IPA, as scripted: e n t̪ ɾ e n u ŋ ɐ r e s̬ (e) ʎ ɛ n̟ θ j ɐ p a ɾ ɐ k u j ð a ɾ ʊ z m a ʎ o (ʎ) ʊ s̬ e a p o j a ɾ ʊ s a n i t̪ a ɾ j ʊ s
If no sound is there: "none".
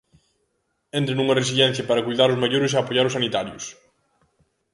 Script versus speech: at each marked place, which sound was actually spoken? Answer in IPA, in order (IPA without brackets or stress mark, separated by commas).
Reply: i, ɾ